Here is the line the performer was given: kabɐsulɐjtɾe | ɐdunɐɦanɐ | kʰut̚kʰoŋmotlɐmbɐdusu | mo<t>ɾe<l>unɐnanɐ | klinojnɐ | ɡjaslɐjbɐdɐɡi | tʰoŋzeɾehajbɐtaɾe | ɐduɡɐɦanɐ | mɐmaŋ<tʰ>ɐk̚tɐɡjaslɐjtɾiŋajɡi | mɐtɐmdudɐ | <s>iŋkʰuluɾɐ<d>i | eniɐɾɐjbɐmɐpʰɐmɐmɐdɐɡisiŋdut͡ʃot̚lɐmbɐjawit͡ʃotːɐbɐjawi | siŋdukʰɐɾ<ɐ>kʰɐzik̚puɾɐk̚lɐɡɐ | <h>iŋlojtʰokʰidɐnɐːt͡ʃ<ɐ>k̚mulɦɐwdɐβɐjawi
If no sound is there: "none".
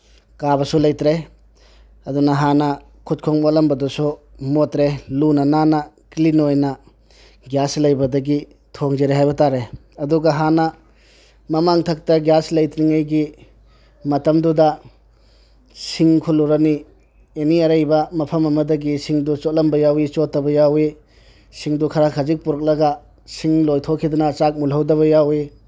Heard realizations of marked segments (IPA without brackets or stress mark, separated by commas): t, l, tʰ, s, n, a, s, a